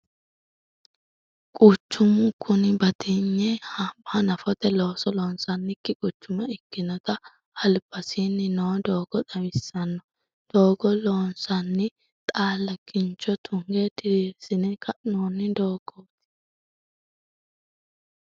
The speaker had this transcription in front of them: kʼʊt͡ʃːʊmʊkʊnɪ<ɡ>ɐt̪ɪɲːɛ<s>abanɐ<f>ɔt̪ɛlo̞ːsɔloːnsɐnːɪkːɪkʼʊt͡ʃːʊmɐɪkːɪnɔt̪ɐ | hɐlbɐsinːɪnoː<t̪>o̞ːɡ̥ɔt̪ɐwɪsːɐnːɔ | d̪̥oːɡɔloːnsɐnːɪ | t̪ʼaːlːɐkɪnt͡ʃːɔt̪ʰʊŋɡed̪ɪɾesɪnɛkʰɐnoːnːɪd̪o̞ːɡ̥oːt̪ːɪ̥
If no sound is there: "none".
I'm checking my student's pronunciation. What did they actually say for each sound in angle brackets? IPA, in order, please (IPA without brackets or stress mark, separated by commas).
b, h, f, d̪